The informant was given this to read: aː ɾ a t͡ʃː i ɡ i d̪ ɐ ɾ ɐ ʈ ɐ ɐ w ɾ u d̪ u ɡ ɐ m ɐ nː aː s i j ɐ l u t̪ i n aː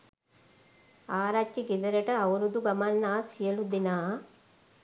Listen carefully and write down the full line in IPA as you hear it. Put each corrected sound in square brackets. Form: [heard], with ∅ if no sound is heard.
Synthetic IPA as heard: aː ɾ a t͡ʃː i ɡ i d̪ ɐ ɾ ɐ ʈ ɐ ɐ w ɾ u d̪ u ɡ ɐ m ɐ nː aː s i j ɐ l u [d̪] i n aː